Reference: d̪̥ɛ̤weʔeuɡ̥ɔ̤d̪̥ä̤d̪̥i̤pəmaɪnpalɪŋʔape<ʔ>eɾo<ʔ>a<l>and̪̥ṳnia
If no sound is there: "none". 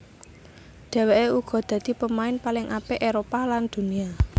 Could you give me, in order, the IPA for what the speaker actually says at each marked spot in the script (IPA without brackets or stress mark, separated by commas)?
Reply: ʔ, p, l